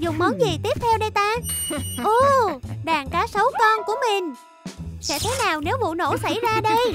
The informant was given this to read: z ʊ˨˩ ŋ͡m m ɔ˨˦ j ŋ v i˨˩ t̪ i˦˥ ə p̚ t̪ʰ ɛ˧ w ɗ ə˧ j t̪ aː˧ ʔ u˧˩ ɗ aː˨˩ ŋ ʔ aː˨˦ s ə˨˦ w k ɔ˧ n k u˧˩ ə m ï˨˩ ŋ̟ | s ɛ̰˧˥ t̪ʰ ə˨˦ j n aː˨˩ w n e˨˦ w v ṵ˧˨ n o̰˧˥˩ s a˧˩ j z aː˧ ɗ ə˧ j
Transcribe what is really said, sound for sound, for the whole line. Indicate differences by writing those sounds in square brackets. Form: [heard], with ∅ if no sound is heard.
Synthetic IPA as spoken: z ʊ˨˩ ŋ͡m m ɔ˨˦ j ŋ [z] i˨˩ t̪ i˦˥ ə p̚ t̪ʰ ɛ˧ w ɗ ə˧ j t̪ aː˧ ʔ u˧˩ ɗ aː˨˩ ŋ [k] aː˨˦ s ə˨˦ w k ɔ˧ n k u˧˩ ə m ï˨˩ ŋ̟ | s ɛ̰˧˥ t̪ʰ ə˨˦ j n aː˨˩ w n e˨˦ w v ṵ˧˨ n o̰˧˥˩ s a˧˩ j z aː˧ ɗ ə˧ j